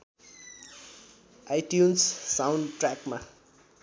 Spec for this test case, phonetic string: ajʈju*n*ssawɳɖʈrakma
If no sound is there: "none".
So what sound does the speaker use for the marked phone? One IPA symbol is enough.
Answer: n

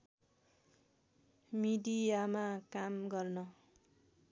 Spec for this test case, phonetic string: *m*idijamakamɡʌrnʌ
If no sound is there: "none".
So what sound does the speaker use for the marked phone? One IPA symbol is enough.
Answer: m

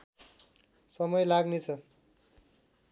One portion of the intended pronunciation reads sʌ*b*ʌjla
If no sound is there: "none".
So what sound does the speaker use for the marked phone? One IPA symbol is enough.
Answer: m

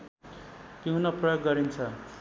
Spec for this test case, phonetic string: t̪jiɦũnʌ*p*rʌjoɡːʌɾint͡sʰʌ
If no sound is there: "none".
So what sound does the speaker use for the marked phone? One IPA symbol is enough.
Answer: p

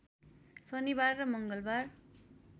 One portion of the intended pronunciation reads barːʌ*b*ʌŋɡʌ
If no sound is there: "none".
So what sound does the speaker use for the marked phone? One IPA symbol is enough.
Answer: m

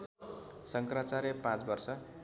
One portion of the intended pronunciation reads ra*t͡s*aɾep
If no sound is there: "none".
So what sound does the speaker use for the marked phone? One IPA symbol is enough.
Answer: t͡s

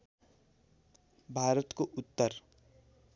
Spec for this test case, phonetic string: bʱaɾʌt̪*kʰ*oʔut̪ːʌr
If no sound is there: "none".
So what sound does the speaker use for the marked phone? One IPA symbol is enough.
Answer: k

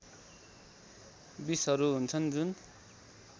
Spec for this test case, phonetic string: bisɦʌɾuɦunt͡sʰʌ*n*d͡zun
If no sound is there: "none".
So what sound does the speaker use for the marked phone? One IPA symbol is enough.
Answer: n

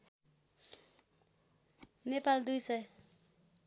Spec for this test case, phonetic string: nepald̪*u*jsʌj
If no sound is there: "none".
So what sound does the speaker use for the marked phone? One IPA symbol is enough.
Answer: u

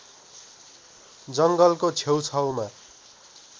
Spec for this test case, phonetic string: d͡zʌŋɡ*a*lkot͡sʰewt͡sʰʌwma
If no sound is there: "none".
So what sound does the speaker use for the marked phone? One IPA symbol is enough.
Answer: ʌ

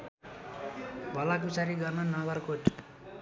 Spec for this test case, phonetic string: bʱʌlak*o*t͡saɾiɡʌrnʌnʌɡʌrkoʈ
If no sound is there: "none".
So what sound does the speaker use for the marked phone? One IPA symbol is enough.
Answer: u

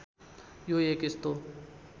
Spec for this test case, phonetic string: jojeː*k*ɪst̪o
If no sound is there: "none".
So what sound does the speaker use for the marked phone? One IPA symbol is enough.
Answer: k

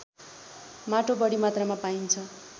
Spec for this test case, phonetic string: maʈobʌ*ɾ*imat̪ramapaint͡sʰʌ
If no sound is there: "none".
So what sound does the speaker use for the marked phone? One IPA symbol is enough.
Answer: ɽ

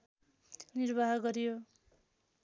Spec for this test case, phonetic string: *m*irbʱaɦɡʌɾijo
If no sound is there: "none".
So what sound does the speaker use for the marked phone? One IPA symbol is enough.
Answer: n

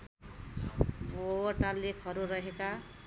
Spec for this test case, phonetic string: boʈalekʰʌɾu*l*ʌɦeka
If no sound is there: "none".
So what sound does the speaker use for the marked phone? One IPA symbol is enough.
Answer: ɾ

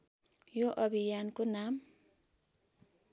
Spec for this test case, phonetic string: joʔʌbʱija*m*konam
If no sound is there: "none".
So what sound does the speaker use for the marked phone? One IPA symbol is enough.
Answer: n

